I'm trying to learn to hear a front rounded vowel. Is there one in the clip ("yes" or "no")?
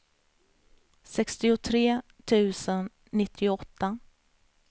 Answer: no